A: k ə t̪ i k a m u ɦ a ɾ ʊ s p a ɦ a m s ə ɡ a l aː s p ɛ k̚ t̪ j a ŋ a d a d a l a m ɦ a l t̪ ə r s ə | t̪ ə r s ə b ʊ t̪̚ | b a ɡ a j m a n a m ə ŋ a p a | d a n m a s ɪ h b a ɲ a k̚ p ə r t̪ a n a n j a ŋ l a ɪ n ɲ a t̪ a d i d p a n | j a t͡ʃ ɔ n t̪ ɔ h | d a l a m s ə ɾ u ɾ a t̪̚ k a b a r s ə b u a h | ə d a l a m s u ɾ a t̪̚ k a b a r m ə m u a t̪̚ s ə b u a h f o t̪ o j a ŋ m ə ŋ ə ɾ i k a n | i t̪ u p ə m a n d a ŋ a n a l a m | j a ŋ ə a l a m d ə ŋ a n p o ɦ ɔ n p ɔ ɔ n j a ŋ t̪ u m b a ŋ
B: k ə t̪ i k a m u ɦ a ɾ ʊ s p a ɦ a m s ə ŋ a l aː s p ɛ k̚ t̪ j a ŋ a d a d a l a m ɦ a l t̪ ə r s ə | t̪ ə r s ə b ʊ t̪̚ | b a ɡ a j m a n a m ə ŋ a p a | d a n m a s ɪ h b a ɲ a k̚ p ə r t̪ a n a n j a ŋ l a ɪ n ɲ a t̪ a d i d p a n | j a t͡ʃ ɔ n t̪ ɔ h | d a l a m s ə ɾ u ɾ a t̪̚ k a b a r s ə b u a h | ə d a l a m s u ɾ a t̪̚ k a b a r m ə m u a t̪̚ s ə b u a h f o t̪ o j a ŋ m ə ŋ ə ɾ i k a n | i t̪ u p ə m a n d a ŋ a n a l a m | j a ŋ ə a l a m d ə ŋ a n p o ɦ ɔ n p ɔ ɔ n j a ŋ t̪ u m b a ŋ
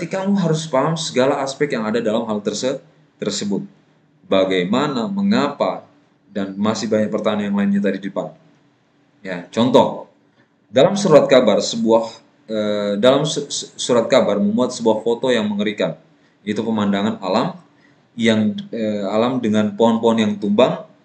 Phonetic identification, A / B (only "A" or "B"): A